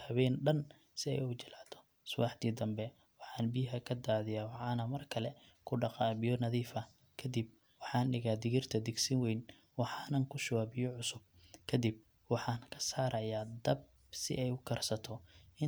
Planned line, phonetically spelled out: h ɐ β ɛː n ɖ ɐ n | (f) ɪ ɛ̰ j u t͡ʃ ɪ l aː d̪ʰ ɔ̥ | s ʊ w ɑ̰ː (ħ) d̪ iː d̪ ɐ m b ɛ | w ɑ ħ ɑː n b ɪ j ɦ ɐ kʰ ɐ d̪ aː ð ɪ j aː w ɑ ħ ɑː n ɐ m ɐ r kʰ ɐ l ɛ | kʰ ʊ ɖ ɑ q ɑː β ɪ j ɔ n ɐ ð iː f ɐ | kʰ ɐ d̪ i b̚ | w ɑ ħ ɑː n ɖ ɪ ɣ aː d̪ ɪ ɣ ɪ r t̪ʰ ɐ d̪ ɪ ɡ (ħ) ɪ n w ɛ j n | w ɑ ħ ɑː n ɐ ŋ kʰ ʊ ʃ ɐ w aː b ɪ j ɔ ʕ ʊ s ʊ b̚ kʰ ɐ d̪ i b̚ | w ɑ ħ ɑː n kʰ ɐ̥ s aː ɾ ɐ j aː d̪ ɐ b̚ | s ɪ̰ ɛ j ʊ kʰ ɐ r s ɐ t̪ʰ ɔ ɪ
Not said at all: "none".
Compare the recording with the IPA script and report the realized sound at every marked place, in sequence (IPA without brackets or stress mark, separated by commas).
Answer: s, ħ, s